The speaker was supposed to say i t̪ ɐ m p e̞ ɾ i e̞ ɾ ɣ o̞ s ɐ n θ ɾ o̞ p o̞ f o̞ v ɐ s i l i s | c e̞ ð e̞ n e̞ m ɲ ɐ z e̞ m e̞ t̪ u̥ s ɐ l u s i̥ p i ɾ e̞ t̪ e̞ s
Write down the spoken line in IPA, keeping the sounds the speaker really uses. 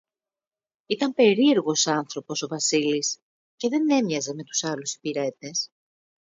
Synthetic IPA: i t̪ ɐ m p e̞ ɾ i e̞ ɾ ɣ o̞ s ɐ n θ ɾ o̞ p o̞ s o̞ v ɐ s i l i s | c e̞ ð e̞ n e̞ m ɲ ɐ z e̞ m e̞ t̪ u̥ s ɐ l u s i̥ p i ɾ e̞ t̪ e̞ s